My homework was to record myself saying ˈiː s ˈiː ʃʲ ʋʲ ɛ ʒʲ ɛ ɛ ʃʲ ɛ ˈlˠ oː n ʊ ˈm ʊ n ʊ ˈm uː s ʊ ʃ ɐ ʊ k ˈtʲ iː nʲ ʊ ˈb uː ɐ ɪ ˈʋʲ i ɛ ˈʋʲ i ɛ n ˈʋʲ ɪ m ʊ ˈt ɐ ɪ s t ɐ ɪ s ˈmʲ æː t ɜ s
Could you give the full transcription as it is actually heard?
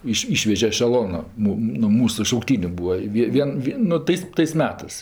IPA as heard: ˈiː ʃ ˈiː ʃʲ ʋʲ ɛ ʒʲ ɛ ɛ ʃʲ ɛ ˈlˠ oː n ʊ ˈm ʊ n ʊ ˈm uː s ʊ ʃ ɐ ʊ k ˈtʲ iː nʲ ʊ ˈb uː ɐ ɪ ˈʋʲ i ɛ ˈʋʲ i ɛ n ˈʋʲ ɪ n ʊ ˈt ɐ ɪ s t ɐ ɪ s ˈmʲ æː t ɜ s